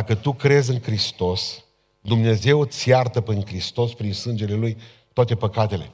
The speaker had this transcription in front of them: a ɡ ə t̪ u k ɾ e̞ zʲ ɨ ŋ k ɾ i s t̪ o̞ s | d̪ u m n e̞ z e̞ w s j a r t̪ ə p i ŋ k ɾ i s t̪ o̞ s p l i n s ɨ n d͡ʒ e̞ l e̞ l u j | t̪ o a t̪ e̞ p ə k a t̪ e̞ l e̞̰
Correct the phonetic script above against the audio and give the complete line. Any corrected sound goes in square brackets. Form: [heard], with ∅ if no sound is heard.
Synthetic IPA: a [k] ə t̪ u k ɾ e̞ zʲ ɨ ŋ k ɾ i s t̪ o̞ s | d̪ u m n e̞ z e̞ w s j a r t̪ ə p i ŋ k ɾ i s t̪ o̞ s p [ɾ] i n s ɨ n d͡ʒ e̞ l e̞ l u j | t̪ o a t̪ e̞ p ə k a t̪ e̞ l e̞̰